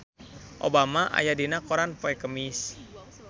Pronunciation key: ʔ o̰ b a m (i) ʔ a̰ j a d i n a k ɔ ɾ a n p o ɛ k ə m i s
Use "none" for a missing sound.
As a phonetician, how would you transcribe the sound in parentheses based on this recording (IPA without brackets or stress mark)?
a